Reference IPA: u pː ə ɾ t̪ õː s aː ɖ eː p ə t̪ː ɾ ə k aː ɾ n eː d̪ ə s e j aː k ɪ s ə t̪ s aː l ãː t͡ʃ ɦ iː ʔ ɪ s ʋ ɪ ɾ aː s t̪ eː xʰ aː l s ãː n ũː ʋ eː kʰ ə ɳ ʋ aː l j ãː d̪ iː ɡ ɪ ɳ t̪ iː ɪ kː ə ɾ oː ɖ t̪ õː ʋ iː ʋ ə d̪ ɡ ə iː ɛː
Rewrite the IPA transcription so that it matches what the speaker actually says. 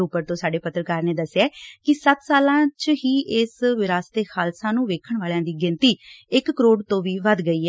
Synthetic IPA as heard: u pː ə ɾ t̪ õː s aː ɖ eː p ə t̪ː ɾ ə k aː ɾ n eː d̪ ə s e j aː k ɪ s ə t̪ s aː l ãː t͡ʃ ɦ iː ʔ ɪ s ʋ ɪ ɾ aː s t̪ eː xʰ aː l s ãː n ũː ʋ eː kʰ ə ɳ ʋ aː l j ãː d̪ iː ɡ ɪ n t̪ iː ɪ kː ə ɾ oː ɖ t̪ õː ʋ iː ʋ ə d̪ ɡ ə iː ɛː